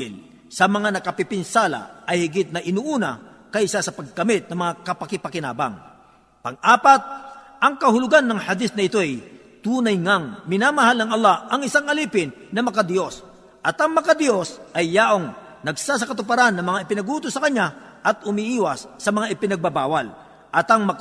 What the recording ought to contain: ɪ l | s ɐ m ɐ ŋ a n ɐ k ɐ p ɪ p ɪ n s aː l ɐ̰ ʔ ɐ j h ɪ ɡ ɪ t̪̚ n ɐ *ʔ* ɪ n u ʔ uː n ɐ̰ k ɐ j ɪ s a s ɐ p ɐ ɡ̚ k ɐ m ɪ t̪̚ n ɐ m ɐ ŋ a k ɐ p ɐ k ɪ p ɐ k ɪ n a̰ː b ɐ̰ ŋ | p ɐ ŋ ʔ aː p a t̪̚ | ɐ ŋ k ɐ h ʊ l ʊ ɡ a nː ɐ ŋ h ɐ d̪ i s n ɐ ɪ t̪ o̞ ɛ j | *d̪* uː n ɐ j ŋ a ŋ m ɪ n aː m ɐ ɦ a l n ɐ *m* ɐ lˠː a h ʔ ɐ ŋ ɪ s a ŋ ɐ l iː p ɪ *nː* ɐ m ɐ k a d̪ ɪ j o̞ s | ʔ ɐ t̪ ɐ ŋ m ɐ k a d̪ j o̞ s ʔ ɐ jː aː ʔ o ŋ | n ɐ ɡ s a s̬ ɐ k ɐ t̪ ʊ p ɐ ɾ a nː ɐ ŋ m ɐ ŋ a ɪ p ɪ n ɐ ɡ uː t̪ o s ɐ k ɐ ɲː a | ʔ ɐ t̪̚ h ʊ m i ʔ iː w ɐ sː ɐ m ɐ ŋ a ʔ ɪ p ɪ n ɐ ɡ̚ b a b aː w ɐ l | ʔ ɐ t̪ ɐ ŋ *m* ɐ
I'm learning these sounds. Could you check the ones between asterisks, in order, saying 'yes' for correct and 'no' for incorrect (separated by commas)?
yes, no, no, yes, yes